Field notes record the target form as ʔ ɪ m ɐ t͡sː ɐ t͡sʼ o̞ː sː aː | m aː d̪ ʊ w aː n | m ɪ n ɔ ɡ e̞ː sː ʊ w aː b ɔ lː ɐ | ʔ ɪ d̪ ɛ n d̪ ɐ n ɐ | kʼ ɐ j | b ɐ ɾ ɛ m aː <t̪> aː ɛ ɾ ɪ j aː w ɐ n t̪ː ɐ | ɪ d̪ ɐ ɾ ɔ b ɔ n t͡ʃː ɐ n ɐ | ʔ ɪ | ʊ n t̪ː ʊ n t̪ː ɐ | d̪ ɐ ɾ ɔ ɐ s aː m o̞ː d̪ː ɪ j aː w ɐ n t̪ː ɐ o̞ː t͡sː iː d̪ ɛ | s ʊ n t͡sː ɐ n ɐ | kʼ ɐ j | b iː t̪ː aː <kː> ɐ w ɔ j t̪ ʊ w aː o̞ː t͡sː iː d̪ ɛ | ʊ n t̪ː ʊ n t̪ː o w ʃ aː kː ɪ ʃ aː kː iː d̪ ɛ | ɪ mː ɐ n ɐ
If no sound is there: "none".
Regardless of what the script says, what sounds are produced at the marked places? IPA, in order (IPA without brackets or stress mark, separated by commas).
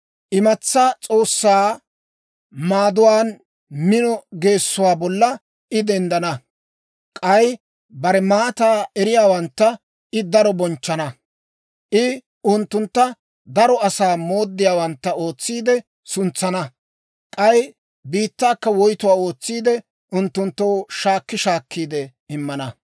t̪, kː